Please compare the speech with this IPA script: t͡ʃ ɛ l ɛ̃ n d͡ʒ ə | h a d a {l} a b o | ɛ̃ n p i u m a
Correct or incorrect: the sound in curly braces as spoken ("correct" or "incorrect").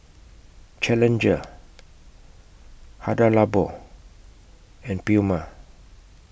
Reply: correct